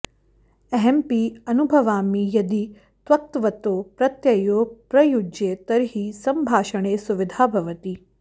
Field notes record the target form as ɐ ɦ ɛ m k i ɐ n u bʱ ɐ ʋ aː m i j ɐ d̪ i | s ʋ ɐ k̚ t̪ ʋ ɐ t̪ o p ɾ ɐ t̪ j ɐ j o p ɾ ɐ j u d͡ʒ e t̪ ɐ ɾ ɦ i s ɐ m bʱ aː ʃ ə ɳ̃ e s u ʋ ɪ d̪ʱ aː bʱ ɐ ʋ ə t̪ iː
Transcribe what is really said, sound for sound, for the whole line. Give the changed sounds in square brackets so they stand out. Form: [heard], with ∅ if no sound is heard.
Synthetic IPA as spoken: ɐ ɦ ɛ m [p] i ɐ n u bʱ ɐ ʋ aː m i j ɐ d̪ i | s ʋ ɐ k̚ t̪ ʋ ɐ t̪ o p ɾ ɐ t̪ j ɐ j o p ɾ ɐ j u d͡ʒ e t̪ ɐ ɾ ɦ i s ɐ m bʱ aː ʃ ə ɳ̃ e s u ʋ ɪ d̪ʱ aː bʱ ɐ ʋ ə t̪ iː